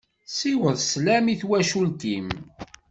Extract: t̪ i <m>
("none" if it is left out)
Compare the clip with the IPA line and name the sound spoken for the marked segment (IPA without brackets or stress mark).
m